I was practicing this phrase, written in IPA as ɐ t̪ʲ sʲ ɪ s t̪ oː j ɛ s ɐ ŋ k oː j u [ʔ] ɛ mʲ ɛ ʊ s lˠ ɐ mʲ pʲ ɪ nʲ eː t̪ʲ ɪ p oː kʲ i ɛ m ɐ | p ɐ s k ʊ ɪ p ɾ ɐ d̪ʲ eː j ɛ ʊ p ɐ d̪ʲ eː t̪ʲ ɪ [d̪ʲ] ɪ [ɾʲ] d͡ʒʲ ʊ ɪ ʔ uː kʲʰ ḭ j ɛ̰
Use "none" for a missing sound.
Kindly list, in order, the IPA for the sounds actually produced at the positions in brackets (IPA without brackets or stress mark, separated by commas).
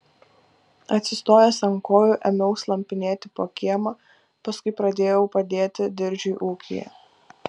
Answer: ʔ, d̪ʲ, ɾʲ